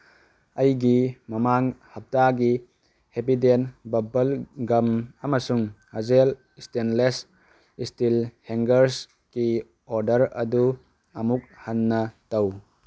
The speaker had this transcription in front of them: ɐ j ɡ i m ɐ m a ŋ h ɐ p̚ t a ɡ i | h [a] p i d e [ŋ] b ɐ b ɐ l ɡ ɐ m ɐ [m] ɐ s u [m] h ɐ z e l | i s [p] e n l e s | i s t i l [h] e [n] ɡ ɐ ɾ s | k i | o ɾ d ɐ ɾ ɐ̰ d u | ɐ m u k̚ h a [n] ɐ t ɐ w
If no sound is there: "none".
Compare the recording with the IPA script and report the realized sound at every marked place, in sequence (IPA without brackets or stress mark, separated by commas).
e, n, m, ŋ, t, h, ŋ, nː